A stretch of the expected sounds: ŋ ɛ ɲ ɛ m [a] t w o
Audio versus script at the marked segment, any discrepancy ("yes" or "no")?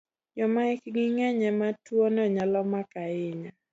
no